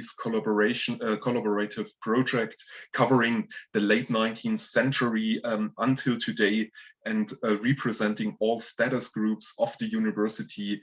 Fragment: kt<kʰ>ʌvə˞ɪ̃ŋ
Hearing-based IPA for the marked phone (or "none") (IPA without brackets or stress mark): kʰ